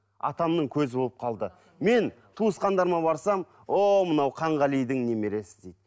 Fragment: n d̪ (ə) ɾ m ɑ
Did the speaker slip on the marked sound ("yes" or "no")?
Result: yes